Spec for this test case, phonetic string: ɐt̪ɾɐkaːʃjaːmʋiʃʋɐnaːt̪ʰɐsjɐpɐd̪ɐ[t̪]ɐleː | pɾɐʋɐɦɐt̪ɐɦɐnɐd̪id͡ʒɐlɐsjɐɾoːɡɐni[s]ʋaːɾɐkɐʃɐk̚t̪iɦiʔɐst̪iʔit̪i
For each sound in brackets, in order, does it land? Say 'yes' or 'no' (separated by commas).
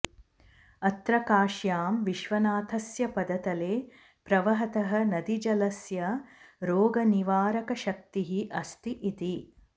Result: yes, no